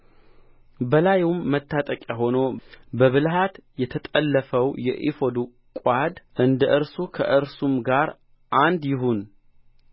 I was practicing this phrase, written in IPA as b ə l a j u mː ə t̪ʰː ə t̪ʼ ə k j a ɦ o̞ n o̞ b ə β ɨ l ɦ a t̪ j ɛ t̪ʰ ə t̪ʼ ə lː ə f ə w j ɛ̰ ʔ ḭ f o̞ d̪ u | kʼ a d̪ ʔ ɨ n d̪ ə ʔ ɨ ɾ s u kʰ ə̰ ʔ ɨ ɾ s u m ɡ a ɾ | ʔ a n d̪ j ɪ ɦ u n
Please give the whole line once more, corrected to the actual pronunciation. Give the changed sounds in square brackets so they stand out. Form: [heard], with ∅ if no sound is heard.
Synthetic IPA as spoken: b ə l a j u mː ə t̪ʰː [a] t̪ʼ ə [kʼ] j a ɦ o̞ n o̞ b ə β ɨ l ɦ a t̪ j ɛ t̪ʰ ə t̪ʼ ə lː ə f ə w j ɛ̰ ʔ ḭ f o̞ d̪ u | kʼ a d̪ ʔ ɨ n d̪ ə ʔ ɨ ɾ s u kʰ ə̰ ʔ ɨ ɾ s u m ɡ a ɾ | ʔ a n d̪ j ɪ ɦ u n